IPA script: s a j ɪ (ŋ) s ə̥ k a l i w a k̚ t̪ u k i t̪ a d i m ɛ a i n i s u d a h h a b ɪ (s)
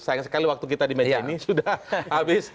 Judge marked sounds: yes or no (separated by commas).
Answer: yes, yes